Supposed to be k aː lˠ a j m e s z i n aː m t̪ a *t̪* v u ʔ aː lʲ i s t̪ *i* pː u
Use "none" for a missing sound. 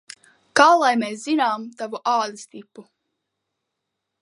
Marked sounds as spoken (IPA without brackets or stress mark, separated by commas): none, i